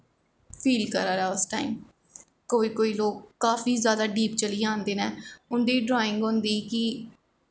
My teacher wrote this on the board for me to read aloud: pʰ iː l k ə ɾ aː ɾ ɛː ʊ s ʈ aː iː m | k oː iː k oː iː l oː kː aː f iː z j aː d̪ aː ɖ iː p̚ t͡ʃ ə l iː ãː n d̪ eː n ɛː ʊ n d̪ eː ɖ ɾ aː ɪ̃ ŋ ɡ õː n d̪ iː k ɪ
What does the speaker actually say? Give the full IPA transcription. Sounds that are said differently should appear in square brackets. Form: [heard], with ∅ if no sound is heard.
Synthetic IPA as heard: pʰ iː l k ə ɾ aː ɾ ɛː ʊ s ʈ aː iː m | k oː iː k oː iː l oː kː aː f iː z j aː d̪ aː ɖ iː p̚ t͡ʃ ə l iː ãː n d̪ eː n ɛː ʊ n d̪ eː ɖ ɾ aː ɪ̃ ŋ ɡ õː n d̪ iː k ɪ